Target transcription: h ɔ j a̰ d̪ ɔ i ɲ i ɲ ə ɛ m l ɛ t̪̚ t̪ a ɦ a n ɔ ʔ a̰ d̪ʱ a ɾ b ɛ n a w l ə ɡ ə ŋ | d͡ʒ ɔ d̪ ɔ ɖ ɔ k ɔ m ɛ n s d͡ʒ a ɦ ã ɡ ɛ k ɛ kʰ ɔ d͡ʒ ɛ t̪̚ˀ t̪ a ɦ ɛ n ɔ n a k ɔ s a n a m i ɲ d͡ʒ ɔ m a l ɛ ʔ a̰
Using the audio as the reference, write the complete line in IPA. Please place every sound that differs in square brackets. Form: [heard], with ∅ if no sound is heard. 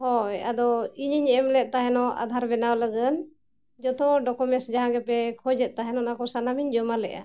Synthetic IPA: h ɔ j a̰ d̪ ɔ i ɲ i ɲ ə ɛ m l ɛ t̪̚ t̪ a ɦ [ɛ] n ɔ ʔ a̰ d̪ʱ a ɾ b ɛ n a w l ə ɡ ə [n] | d͡ʒ ɔ [t̪] ɔ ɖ ɔ k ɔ m ɛ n s d͡ʒ a ɦ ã ɡ ɛ [p] ɛ kʰ ɔ d͡ʒ ɛ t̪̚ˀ t̪ a ɦ ɛ n ɔ n a k ɔ s a n a m i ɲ d͡ʒ ɔ m a l ɛ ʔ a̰

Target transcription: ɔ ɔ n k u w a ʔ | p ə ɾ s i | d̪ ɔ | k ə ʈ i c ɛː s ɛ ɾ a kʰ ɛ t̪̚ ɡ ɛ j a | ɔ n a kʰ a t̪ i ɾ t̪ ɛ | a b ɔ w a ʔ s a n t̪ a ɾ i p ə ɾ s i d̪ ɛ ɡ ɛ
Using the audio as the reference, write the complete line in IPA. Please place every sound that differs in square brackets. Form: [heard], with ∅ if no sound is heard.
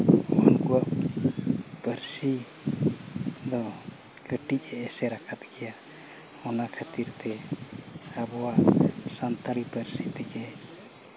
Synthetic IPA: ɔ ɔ n k u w a ʔ | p ə ɾ s i | d̪ ɔ | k ə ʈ i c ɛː s ɛ ɾ a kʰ [a] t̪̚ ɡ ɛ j a | ɔ n a kʰ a t̪ i ɾ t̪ ɛ | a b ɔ w a ʔ s a n t̪ a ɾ i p ə ɾ s i [t̪] ɛ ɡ ɛ

